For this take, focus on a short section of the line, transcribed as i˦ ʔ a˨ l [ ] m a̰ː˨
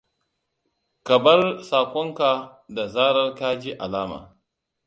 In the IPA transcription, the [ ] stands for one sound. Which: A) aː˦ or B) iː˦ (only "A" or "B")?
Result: A